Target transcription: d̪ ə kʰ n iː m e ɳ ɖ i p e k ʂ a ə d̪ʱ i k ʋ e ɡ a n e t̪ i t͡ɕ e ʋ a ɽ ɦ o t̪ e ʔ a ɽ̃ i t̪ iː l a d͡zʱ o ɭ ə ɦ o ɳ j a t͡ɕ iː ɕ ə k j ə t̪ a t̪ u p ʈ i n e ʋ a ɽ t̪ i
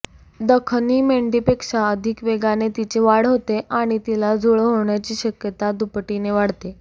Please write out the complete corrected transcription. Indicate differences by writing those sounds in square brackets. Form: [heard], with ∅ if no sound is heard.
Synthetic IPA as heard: d̪ ə kʰ n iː m e ɳ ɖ i p e k ʂ a ə d̪ʱ i k ʋ e ɡ a n e t̪ i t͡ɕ e ʋ a ɽ ɦ o t̪ e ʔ a ɽ̃ i t̪ [i] l a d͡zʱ o ɭ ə ɦ o ɳ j a t͡ɕ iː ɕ ə k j ə t̪ a [d̪] u p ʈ i n e ʋ a ɽ t̪ [e]

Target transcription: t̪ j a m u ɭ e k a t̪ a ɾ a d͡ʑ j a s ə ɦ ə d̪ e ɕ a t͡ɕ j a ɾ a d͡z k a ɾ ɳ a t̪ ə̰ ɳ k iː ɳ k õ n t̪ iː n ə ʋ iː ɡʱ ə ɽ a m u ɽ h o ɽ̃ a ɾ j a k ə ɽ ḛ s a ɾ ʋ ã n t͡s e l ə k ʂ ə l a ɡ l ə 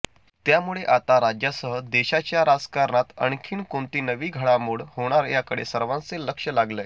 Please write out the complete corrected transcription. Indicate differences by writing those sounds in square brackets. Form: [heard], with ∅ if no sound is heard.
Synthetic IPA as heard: t̪ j a m u ɭ e [ʔ] a t̪ a ɾ a d͡ʑ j a s ə ɦ ə d̪ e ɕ a t͡ɕ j a ɾ a d͡z k a ɾ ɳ a t̪ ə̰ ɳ [kʰ] iː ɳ k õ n t̪ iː n ə ʋ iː ɡʱ ə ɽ a m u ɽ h o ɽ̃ a ɾ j a k ə ɽ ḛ s [ə] ɾ ʋ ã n t͡s e l ə k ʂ ə l a ɡ l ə

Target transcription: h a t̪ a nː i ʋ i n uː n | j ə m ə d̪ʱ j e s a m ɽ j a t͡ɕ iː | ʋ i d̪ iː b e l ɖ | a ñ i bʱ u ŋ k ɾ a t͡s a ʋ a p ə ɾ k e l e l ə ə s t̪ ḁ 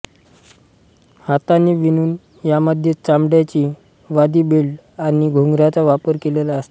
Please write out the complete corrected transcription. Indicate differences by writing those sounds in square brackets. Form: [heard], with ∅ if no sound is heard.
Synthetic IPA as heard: h a t̪ a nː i ʋ i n uː n | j [a] m ə d̪ʱ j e [t͡s] a m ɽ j a t͡ɕ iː | ʋ [a] d̪ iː b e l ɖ | a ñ i [ɡʱ] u ŋ [ɡ] ɾ a t͡s a ʋ a p ə ɾ k e l e l [a] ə s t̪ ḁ

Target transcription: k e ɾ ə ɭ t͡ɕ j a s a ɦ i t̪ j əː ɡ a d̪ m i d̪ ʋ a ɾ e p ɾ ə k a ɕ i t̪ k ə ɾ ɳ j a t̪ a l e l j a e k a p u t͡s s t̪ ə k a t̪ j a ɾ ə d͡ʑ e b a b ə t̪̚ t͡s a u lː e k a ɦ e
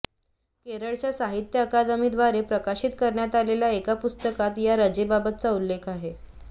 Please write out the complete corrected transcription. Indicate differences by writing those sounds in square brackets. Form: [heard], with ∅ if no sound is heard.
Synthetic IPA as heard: k e ɾ ə ɭ t͡ɕ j a s a ɦ i t̪ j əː [k] a d̪ m i d̪ ʋ a ɾ e p ɾ ə k a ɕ i t̪ k ə ɾ ɳ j a t̪ a l e l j a e k a p u [∅] s t̪ ə k a t̪ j a ɾ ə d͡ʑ e b a b ə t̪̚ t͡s a u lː e [kʰ] a ɦ e

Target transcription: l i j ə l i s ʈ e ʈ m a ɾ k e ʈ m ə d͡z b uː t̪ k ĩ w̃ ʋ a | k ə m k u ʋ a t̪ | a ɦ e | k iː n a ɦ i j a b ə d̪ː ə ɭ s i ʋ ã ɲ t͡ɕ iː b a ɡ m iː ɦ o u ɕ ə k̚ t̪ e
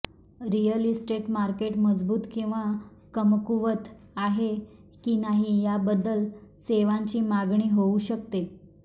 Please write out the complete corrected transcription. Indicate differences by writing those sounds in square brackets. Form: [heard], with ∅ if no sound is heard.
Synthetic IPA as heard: [ɾ] i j ə l i s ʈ e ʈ m a ɾ k e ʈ m ə d͡z b uː t̪ k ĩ w̃ ʋ a | k ə m k u ʋ [ə] t̪ | a ɦ e | k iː n a ɦ i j a b ə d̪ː ə [l] s [e] ʋ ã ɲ t͡ɕ iː [m] a ɡ [ɳ] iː ɦ o u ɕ ə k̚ t̪ e

